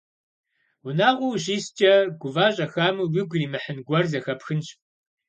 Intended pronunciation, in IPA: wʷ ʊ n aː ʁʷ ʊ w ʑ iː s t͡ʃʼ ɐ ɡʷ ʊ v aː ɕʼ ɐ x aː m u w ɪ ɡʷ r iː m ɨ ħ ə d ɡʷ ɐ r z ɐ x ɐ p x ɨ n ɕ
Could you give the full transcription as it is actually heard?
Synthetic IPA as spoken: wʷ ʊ n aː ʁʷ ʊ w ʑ iː s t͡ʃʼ ɐ ɡʷ ʊ v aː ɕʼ ɐ x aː m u w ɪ ɡʷ r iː m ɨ ħ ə n ɡʷ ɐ r z ɐ x ɐ p x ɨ n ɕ

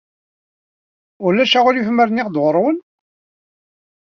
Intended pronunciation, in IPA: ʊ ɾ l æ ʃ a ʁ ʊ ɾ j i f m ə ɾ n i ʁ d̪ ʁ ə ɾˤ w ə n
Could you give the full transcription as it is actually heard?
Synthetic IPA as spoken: ʊ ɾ l æ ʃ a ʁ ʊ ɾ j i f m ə ɾ n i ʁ d̪ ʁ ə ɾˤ w ə n

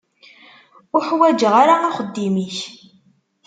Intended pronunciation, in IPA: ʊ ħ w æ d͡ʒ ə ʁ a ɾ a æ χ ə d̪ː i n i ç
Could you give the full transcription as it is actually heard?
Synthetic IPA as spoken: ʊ ħ w æ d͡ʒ ə ʁ a ɾ a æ χ ə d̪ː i m i ç

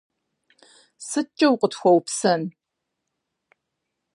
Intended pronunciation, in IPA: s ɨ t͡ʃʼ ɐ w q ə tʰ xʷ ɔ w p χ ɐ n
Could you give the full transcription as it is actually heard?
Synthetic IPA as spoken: s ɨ t͡ʃʼ ɐ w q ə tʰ xʷ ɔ w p s ɐ n

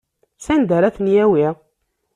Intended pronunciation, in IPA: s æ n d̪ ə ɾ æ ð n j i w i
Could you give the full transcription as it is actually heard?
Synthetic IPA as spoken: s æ n d̪ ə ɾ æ θ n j æ w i

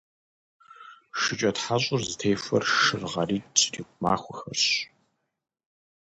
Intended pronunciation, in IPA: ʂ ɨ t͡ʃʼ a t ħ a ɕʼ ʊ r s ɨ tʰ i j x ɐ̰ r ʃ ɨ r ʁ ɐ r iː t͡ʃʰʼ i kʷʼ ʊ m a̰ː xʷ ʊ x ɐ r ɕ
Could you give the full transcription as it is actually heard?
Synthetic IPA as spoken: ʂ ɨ t͡ʃʼ ɐ t ħ a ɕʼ ʊ r z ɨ tʰ e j f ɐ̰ r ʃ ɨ r ʁ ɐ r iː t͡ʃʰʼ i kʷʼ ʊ m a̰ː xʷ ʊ x ɐ r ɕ

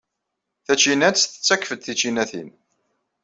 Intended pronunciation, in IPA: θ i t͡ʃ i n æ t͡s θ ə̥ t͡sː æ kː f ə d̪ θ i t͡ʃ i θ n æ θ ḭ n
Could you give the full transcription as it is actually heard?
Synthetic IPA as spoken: θ æ t͡ʃ i n æ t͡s θ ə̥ t͡sː æ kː f ə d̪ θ i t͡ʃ i n æ θ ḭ n

